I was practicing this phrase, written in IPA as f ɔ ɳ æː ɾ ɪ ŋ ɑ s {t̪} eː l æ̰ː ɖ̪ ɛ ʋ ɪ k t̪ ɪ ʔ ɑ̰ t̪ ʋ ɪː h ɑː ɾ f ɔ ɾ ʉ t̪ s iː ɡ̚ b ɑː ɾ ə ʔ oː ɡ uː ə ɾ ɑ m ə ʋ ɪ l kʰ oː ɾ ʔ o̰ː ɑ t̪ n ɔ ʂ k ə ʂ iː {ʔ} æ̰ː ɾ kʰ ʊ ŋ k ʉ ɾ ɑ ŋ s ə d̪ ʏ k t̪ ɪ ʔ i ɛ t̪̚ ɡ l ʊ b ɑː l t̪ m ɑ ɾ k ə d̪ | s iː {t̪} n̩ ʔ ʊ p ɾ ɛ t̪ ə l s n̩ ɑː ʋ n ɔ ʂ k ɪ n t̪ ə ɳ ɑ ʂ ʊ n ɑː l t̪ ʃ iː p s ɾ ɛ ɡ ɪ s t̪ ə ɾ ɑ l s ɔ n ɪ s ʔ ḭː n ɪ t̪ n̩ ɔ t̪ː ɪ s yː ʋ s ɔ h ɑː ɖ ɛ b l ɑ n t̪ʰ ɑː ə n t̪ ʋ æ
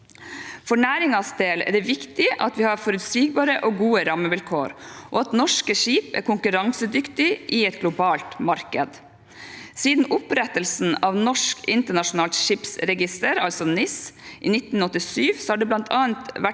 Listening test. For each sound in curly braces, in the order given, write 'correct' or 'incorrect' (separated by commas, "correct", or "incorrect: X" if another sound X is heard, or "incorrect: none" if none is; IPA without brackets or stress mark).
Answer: incorrect: d̪, incorrect: p, incorrect: d̪